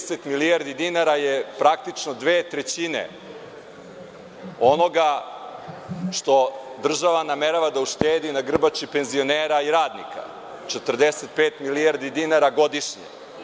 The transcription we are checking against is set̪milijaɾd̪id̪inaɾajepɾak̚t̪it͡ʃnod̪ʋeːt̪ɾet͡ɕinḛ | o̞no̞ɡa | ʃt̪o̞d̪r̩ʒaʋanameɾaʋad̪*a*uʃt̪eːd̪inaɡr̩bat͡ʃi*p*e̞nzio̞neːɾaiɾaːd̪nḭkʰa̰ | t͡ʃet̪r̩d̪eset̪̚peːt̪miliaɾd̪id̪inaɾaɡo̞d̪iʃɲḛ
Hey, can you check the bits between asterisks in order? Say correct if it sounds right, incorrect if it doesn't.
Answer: correct, correct

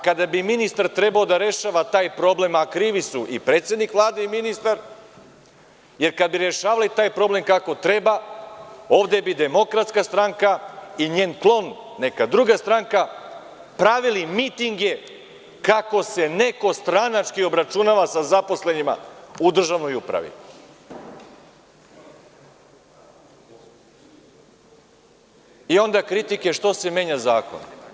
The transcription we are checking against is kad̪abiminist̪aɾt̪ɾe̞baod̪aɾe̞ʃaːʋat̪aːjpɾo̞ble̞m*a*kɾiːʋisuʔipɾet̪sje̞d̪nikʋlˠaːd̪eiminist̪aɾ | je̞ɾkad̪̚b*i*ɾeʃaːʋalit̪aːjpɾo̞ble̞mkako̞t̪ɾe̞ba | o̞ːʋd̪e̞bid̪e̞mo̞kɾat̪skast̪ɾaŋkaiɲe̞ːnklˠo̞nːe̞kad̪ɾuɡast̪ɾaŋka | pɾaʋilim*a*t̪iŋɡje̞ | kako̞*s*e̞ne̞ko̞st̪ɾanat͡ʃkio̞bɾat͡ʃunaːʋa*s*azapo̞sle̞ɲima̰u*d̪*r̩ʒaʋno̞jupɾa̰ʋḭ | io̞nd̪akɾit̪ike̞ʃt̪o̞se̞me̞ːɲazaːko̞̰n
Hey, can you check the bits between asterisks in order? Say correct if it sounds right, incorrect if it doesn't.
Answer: correct, correct, incorrect, correct, correct, correct

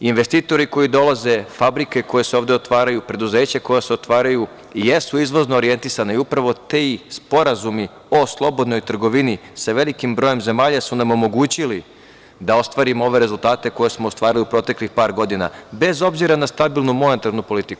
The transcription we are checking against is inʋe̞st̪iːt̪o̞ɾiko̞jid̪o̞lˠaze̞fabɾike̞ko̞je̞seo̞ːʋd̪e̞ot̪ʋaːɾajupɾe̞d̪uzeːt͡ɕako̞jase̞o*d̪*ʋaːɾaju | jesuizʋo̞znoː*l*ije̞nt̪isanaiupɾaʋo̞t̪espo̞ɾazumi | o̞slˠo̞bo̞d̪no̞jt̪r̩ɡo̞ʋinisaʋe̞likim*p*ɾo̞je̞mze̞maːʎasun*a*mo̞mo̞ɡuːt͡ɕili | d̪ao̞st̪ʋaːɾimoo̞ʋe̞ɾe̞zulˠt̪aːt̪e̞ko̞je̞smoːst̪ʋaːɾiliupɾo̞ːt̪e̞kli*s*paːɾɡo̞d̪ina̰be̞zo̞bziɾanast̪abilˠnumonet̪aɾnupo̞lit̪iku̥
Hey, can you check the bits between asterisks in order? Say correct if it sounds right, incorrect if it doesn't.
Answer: incorrect, incorrect, incorrect, correct, incorrect

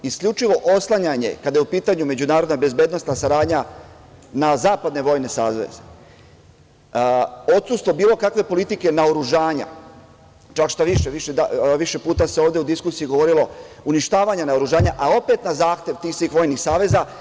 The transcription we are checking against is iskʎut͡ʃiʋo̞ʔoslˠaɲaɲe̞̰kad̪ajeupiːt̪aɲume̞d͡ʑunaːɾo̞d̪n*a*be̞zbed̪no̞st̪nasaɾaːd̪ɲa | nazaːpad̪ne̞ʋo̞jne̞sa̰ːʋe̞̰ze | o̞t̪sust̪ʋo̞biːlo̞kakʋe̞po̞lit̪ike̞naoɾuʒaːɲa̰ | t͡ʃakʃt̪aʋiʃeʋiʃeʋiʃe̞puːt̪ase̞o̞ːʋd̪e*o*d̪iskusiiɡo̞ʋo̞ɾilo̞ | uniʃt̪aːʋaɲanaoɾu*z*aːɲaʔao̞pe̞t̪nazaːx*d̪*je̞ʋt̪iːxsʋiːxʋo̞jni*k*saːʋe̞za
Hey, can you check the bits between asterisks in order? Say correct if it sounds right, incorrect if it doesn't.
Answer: correct, incorrect, incorrect, incorrect, incorrect

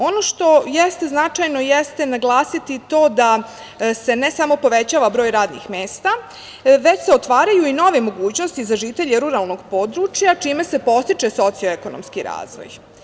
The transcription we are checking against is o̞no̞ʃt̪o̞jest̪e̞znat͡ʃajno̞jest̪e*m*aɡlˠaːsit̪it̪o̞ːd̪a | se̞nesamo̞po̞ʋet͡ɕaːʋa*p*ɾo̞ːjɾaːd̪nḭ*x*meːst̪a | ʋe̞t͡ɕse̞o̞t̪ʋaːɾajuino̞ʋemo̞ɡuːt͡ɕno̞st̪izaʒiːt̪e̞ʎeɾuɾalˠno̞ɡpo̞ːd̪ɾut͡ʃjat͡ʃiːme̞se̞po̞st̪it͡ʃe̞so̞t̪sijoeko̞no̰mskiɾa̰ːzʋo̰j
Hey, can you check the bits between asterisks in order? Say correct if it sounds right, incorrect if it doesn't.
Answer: incorrect, incorrect, correct

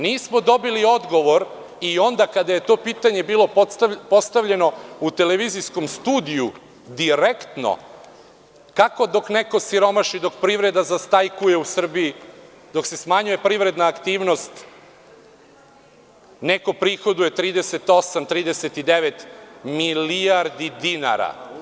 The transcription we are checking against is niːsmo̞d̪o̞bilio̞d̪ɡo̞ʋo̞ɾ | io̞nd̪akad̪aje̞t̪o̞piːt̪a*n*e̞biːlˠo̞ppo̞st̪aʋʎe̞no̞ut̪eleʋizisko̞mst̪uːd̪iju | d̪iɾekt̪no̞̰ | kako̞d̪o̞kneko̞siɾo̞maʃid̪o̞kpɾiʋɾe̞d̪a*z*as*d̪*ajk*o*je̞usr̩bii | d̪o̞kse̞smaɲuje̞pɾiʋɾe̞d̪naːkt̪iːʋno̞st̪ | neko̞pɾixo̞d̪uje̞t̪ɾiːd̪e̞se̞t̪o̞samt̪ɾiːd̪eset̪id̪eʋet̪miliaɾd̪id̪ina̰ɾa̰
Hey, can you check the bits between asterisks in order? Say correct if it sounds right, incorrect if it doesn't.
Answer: incorrect, correct, incorrect, incorrect

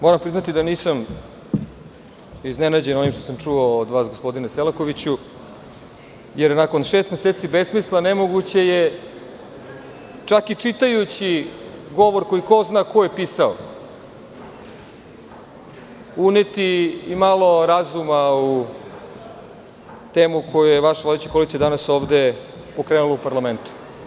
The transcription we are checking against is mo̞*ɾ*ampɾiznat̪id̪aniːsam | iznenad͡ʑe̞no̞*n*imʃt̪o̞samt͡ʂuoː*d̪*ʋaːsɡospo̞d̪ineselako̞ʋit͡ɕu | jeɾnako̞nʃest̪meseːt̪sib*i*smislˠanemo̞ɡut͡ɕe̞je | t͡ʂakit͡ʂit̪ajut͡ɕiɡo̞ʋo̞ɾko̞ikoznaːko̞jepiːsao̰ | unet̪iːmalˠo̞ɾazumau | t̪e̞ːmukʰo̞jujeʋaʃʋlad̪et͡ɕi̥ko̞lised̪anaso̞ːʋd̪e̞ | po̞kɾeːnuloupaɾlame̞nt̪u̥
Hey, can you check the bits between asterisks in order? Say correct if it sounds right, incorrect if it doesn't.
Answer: correct, correct, correct, incorrect

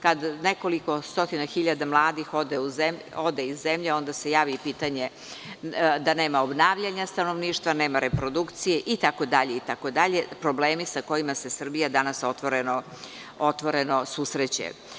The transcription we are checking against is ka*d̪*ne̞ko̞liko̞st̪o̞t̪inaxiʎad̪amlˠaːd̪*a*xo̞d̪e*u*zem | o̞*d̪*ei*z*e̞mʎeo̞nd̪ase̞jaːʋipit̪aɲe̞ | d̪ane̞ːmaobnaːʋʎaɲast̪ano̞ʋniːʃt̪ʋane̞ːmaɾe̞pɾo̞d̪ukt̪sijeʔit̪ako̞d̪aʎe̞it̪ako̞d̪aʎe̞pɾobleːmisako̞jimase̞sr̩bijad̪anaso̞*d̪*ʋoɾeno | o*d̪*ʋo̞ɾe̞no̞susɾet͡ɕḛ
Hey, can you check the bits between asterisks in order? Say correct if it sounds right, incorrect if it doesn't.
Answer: correct, incorrect, correct, correct, incorrect, incorrect, incorrect

